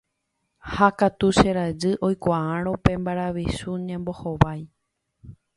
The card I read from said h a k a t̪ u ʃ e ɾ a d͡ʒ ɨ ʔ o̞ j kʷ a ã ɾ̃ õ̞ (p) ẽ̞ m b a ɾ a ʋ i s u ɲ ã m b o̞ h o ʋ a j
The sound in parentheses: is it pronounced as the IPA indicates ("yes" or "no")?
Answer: yes